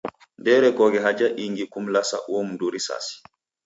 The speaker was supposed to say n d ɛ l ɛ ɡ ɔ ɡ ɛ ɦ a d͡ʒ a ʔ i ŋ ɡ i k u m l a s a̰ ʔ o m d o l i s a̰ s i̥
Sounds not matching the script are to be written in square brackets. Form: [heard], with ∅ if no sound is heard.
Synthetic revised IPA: n d ɛ [ɾ] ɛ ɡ ɔ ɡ ɛ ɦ a d͡ʒ a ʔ i ŋ ɡ i k u m l a s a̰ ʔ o m d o [ɾ] i s a̰ s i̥